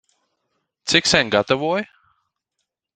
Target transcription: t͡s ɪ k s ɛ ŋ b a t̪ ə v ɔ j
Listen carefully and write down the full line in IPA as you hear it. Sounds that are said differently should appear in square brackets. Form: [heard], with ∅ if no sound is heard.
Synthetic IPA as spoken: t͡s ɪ k s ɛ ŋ [ɡ] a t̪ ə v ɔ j